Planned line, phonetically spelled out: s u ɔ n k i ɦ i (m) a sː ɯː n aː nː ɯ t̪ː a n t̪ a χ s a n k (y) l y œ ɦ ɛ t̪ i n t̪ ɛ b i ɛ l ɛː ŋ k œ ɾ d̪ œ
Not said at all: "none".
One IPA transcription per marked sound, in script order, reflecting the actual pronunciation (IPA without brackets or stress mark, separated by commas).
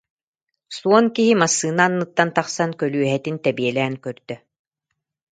m, œ